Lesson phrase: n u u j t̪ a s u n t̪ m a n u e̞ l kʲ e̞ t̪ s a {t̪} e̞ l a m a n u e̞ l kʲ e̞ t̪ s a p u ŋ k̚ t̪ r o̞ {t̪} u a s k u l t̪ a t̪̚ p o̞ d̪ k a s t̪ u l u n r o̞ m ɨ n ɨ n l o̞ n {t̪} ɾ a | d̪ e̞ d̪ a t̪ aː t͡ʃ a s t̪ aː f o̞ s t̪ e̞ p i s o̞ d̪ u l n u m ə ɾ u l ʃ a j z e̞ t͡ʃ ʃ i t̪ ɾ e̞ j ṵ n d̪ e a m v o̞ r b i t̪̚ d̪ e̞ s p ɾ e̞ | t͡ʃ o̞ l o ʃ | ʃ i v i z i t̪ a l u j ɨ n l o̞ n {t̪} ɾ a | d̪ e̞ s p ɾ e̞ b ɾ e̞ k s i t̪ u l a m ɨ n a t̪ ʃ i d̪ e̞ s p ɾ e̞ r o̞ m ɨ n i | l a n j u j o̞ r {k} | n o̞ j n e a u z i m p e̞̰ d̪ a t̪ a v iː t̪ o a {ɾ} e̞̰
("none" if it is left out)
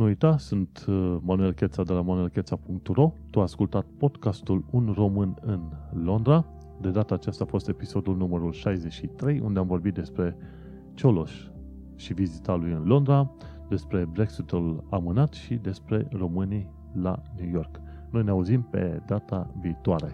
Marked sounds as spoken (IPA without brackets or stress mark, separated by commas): d̪, t̪, d̪, d̪, k, ɾ